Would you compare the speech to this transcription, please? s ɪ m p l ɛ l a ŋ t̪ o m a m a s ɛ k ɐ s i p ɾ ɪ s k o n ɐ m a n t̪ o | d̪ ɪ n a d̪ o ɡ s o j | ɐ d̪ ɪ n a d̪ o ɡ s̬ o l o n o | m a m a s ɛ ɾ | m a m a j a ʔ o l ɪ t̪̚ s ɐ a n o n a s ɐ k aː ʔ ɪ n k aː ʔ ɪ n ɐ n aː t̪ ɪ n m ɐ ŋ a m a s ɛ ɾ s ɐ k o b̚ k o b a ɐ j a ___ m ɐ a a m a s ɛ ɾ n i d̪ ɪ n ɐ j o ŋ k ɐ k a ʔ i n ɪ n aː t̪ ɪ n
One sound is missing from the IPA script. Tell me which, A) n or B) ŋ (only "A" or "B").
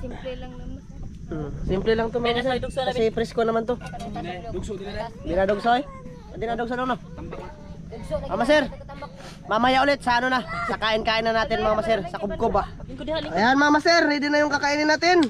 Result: A